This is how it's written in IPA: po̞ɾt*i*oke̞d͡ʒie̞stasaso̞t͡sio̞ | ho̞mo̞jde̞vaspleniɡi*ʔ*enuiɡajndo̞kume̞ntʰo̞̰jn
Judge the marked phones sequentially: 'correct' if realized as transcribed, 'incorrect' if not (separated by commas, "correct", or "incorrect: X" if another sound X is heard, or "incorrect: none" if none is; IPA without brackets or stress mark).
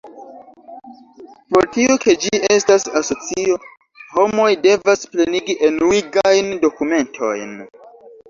correct, correct